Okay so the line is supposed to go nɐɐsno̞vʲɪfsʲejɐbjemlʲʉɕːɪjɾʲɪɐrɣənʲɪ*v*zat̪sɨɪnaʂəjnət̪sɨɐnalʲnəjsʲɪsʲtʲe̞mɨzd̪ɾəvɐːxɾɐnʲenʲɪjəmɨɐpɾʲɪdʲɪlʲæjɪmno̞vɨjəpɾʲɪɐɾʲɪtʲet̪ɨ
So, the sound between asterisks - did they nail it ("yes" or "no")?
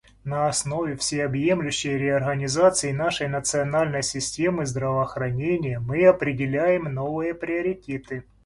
no